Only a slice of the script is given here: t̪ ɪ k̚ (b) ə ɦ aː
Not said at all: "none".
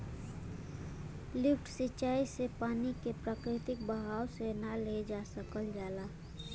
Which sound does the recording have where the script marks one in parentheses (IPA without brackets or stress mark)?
b